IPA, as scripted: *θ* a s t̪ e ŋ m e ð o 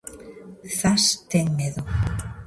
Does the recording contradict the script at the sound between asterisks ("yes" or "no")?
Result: no